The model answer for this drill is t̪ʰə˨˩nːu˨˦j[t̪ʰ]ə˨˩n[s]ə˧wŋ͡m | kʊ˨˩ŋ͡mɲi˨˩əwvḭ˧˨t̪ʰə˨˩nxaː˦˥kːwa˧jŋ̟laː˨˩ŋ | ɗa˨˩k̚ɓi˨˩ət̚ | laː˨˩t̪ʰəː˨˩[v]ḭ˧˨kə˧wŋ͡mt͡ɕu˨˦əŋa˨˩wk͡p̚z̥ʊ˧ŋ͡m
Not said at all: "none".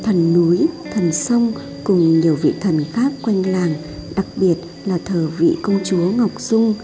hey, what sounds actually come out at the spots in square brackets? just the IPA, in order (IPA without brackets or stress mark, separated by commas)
t̪ʰ, s, v